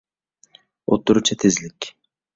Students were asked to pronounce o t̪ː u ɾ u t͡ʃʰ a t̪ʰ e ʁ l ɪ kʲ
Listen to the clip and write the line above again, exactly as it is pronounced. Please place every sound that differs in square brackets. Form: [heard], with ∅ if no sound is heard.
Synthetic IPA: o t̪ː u ɾ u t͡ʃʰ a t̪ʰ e [z] l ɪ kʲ